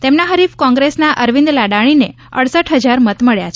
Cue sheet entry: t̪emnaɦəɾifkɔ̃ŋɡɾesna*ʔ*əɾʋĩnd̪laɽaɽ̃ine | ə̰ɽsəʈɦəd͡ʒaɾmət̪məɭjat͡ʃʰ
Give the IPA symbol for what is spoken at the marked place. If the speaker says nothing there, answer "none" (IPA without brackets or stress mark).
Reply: ʔ